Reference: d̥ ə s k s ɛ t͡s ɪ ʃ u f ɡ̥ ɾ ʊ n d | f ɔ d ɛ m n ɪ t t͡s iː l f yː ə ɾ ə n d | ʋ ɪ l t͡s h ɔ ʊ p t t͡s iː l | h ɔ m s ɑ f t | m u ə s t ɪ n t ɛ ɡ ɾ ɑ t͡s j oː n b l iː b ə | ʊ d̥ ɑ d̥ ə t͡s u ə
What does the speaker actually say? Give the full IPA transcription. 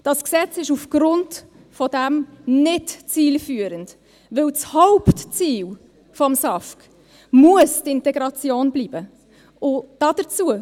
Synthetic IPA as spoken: d̥ ɑ s k s ɛ t͡s ɪ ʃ u f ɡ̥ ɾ ʊ n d | f ɔ d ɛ m n ɪ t t͡s iː l f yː ə ɾ ə n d | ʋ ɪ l t͡s h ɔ ʊ p t t͡s iː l | f ɔ m s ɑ f k | m u ə s t ɪ n t ɛ ɡ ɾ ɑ t͡s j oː n b l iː b ə | ʊ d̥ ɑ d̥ ə t͡s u ə